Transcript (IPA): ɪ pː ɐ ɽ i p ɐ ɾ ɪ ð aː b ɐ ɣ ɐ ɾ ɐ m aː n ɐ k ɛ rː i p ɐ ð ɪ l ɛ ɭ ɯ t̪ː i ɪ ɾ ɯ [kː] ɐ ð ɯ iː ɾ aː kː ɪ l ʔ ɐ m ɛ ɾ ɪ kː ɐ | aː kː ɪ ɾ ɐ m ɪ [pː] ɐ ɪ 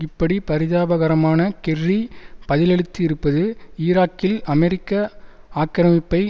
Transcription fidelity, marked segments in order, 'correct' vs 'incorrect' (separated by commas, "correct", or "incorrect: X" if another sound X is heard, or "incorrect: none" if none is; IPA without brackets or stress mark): incorrect: pː, correct